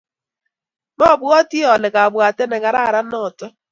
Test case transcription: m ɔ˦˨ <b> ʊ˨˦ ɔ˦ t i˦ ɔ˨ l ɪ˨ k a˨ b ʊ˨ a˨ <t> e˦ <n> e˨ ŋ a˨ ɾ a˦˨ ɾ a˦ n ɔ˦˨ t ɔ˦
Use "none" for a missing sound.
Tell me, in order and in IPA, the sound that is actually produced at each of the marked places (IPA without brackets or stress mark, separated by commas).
b, t, n